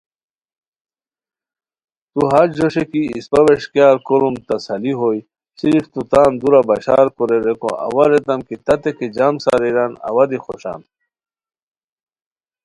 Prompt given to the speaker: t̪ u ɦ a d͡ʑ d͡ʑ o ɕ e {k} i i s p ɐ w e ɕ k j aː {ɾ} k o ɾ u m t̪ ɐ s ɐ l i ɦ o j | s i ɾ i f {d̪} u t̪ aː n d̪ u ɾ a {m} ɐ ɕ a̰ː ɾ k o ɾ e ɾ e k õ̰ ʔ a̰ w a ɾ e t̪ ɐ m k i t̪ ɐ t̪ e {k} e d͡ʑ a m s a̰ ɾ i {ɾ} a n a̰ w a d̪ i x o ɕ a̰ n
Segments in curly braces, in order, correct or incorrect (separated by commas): correct, correct, incorrect, incorrect, correct, correct